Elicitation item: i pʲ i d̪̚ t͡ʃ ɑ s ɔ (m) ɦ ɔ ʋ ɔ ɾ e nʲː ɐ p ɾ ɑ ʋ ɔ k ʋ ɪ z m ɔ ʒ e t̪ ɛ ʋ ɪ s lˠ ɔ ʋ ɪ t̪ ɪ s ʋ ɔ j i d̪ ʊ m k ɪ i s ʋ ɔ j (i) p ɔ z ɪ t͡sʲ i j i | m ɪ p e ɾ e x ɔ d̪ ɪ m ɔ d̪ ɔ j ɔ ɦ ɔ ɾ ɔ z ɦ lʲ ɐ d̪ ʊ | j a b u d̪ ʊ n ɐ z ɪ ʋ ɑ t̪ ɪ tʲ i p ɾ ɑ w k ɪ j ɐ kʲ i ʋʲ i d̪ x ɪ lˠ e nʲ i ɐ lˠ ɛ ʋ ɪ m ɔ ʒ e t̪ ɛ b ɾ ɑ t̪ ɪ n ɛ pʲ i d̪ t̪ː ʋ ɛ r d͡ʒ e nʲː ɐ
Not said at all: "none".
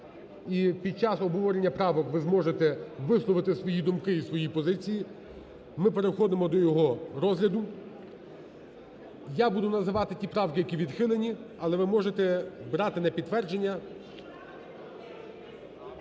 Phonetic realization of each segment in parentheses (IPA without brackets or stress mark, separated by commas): b, i